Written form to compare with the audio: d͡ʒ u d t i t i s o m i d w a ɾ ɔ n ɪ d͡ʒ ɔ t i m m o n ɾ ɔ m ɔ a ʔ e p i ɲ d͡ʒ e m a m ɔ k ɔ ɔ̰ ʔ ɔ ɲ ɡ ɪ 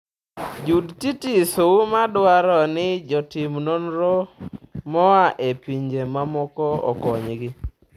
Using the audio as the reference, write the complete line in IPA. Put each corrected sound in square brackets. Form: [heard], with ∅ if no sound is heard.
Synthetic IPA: d͡ʒ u d t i t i s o m [a] d w a ɾ ɔ n ɪ d͡ʒ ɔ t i m [n] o n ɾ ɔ m ɔ a ʔ e p i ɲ d͡ʒ e m a m ɔ k ɔ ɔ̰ [k] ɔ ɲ ɡ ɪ